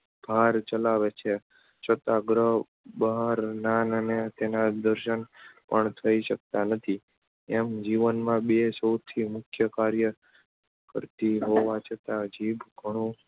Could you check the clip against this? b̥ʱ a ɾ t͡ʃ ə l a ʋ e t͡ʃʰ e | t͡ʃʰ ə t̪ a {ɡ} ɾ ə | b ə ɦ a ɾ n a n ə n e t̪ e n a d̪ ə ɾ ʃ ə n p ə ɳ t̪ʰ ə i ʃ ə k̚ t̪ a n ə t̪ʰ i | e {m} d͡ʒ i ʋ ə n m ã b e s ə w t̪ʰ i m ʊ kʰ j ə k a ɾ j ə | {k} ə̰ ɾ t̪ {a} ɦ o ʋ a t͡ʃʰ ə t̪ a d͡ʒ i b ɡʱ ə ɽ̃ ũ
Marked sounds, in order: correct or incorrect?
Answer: correct, correct, correct, incorrect

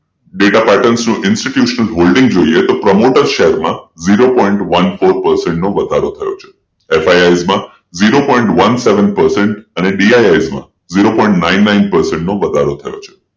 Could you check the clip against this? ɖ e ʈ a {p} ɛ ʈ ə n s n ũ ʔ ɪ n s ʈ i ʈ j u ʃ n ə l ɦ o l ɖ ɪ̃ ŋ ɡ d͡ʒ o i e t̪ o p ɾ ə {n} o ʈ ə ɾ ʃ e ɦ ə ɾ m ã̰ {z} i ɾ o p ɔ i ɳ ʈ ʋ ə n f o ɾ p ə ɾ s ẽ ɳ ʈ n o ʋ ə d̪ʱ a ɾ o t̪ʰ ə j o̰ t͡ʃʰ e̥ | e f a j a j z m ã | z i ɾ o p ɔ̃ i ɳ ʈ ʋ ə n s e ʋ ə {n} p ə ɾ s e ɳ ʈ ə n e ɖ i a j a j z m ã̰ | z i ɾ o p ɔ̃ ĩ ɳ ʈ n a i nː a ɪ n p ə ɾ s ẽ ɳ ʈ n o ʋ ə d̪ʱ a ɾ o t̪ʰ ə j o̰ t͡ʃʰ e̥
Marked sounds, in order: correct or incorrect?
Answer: correct, incorrect, correct, correct

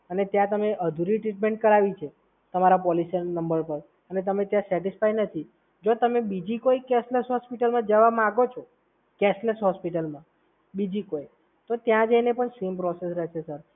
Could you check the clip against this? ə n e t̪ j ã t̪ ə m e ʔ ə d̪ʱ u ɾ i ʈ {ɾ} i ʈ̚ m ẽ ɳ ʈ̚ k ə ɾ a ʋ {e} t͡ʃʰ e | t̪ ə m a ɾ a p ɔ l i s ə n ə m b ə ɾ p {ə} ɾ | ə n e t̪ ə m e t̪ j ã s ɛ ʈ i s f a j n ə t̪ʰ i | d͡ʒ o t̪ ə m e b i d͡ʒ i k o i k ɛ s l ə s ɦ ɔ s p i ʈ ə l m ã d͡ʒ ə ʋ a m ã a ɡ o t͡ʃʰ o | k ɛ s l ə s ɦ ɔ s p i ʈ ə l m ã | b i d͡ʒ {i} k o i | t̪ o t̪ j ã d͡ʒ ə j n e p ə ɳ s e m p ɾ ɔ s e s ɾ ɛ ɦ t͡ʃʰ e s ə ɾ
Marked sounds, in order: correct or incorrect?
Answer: correct, incorrect, correct, correct

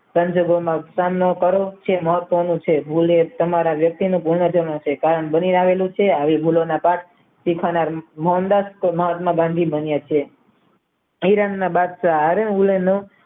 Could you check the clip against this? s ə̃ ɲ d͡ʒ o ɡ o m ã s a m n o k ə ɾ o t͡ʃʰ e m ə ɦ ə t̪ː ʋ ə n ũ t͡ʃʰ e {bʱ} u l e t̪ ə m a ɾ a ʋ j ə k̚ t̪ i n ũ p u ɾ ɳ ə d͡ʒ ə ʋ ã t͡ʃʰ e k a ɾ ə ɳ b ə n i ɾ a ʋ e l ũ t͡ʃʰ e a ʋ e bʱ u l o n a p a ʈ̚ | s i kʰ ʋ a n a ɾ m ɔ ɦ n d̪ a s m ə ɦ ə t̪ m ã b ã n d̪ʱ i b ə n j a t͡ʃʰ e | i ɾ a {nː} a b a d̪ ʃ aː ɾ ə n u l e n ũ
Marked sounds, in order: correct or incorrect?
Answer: correct, correct

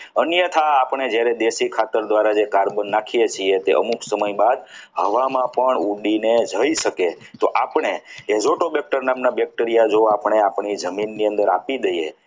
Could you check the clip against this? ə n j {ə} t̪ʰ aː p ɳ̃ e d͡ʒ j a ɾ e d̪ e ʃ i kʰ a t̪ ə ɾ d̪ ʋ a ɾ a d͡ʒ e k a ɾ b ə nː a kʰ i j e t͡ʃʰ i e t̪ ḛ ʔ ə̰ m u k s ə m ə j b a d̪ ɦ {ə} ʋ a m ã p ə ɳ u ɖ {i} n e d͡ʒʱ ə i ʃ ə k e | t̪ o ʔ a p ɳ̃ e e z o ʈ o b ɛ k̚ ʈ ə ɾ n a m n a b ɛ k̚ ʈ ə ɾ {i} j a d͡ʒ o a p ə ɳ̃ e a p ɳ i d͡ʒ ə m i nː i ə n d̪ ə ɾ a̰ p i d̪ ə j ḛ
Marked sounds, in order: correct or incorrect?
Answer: correct, correct, correct, correct

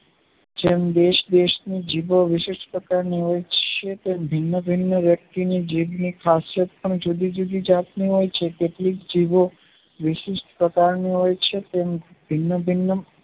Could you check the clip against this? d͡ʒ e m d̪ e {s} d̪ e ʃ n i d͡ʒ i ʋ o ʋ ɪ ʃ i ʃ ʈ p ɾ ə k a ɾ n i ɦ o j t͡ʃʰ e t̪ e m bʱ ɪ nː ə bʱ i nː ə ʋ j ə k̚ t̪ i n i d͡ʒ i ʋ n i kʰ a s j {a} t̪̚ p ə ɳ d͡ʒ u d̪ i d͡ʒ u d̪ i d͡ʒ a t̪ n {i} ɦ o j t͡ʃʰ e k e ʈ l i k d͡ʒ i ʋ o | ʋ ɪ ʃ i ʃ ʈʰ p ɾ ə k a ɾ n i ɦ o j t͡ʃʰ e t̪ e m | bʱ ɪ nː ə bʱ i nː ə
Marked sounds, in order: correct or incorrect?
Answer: incorrect, incorrect, correct

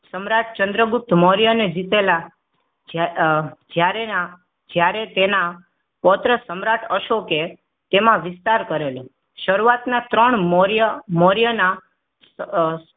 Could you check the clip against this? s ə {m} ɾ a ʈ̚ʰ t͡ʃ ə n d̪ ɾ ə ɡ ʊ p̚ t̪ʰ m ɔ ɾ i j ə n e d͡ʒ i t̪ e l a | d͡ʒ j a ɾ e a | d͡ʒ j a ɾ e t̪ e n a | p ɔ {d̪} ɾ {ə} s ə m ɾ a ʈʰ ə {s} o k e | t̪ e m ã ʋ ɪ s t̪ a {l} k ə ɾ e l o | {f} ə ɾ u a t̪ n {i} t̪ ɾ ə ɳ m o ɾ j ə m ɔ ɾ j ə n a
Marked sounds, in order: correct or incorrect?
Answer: correct, incorrect, correct, incorrect, incorrect, incorrect, incorrect

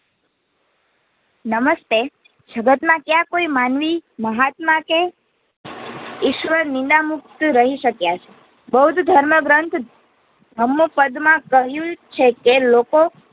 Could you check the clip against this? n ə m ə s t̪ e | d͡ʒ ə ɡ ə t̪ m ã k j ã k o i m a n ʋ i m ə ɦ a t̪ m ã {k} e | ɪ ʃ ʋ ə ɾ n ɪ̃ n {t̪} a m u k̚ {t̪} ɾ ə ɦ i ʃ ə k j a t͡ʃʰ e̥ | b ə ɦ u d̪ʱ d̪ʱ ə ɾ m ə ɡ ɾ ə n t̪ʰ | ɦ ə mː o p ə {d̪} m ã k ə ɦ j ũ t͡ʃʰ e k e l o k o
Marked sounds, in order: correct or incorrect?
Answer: correct, incorrect, correct, correct

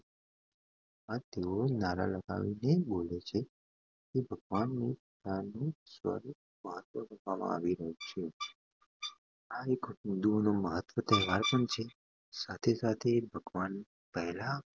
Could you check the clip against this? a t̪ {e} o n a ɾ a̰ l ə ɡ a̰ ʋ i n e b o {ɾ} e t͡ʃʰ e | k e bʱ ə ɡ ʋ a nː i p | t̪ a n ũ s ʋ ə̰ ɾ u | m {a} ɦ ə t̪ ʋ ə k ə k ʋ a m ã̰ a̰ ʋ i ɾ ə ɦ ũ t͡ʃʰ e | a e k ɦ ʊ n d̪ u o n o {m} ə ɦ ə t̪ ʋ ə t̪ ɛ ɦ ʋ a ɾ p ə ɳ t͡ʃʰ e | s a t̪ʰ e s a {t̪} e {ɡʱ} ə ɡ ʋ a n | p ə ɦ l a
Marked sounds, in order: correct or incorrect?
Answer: correct, incorrect, incorrect, correct, incorrect, incorrect

